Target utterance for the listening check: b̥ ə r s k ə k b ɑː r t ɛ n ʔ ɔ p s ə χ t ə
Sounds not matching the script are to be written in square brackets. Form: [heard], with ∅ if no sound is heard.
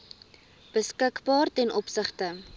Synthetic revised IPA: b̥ ə [∅] s k ə k b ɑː r t ɛ n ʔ ɔ p s ə χ t ə